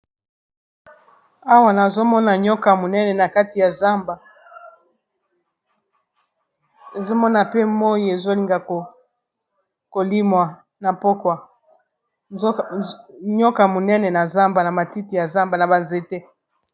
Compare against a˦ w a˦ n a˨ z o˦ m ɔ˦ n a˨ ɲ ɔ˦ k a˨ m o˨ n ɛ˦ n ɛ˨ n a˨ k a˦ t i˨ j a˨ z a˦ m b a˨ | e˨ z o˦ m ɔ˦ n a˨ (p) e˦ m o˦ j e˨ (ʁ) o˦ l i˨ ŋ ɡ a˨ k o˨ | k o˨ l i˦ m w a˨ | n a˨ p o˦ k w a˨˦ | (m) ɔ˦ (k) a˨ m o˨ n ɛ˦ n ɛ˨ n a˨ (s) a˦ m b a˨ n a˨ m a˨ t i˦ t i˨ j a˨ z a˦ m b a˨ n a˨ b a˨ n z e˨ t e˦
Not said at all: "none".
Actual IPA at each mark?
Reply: p, z, ɲ, k, z

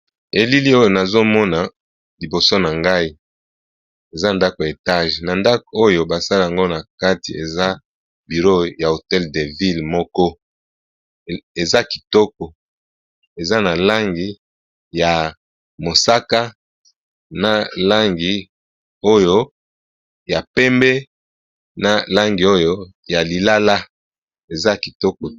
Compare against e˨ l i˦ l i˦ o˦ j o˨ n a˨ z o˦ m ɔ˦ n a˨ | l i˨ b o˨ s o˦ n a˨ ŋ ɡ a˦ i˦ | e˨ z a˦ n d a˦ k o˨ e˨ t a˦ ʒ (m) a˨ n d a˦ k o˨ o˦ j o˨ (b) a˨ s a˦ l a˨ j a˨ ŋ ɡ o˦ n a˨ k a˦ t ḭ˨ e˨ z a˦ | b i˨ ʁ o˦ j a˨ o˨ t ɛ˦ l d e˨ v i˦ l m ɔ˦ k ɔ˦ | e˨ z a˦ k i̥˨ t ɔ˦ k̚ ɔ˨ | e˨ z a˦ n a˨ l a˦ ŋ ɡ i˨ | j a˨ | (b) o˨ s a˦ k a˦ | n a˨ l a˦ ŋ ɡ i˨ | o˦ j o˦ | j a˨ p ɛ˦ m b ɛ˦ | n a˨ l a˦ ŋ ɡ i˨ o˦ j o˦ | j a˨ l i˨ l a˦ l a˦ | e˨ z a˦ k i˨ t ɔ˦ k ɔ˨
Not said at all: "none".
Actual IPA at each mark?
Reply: n, b, m

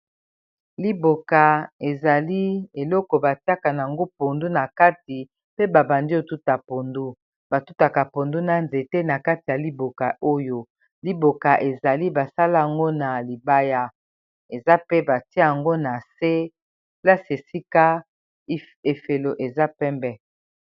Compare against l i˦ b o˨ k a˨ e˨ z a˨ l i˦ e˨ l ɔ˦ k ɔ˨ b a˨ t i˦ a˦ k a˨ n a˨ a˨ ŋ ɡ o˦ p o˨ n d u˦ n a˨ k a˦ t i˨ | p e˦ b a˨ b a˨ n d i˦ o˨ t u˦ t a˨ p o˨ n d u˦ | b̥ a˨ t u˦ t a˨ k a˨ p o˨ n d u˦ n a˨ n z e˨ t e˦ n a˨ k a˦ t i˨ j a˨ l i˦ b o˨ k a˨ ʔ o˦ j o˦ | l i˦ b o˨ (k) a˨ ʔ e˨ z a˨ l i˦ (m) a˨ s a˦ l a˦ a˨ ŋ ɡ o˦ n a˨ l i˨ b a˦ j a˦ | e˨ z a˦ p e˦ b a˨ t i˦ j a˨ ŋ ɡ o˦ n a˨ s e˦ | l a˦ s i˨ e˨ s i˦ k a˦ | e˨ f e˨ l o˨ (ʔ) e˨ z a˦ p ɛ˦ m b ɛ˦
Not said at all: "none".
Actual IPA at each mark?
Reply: k, b, ʔ

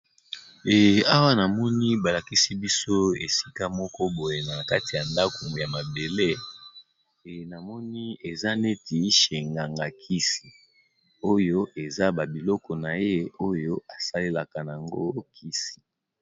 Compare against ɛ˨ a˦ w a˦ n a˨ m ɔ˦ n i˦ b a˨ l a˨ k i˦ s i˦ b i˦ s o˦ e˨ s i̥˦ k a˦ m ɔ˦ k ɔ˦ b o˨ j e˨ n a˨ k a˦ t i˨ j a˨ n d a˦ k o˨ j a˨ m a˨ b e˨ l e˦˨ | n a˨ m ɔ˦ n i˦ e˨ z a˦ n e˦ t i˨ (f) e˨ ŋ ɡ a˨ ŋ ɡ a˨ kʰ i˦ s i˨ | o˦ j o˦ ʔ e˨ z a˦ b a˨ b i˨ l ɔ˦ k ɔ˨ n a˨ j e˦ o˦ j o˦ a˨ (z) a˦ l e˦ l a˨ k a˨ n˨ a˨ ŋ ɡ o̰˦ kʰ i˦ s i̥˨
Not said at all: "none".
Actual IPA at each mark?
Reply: ʃ, s

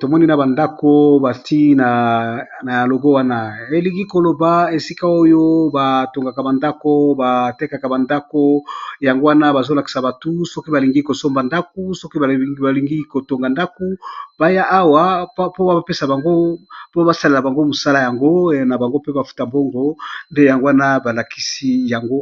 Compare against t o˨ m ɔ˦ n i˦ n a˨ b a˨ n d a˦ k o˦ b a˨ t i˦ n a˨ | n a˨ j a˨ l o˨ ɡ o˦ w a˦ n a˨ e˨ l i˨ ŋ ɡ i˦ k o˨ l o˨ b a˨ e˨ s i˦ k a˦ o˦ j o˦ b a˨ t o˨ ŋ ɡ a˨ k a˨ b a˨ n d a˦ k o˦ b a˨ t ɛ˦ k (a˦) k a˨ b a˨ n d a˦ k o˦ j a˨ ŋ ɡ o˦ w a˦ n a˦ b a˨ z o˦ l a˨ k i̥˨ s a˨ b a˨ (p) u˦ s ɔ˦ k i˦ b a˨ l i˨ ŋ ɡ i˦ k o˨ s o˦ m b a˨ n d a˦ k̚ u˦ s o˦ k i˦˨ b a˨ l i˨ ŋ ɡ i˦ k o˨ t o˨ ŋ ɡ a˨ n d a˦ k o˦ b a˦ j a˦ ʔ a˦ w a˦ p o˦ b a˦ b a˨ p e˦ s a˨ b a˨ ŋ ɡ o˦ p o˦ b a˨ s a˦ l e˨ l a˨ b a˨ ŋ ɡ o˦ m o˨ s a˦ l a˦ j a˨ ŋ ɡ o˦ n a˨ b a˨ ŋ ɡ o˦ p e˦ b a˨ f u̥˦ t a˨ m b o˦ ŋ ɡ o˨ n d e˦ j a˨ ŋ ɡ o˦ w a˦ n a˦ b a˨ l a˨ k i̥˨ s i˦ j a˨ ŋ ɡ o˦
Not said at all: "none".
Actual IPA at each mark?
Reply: a˨, t

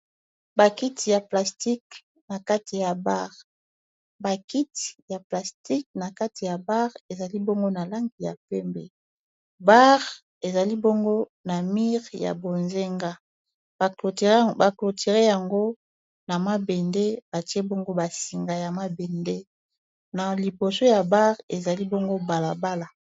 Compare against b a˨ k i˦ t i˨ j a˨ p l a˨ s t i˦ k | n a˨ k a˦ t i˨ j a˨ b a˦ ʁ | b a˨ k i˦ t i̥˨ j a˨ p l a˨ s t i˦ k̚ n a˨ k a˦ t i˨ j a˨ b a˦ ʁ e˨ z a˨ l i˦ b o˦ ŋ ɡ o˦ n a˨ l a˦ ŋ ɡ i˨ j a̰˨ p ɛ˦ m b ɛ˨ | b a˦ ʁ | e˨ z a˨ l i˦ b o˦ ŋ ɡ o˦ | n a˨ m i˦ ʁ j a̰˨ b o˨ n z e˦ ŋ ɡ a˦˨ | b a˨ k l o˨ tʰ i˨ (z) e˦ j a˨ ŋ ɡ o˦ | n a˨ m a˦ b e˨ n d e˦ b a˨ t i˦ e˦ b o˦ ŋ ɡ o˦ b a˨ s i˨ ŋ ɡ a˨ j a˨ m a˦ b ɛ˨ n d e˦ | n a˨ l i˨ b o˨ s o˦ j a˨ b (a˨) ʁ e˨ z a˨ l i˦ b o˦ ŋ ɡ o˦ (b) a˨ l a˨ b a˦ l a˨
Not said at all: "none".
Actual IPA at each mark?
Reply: ʁ, a˦, b

